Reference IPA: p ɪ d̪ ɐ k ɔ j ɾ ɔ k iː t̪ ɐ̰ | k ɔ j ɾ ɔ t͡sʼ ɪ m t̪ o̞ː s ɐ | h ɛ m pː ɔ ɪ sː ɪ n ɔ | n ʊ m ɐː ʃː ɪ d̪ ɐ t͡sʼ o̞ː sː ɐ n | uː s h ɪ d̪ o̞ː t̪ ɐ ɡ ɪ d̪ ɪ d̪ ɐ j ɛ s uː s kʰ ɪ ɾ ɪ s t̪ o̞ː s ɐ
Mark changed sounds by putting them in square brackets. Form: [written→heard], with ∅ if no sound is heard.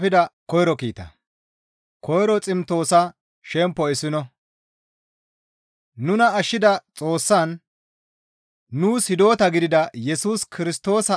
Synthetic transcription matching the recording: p ɪ d̪ ɐ k ɔ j ɾ ɔ k iː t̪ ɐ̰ | k ɔ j ɾ ɔ t͡sʼ ɪ m t̪ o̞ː s ɐ | [h→ʃ] ɛ m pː ɔ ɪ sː ɪ n ɔ | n ʊ [m→n] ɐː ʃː ɪ d̪ ɐ t͡sʼ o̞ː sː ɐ n | uː s h ɪ d̪ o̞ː t̪ ɐ ɡ ɪ d̪ ɪ d̪ ɐ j ɛ s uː s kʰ ɪ ɾ ɪ s t̪ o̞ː s ɐ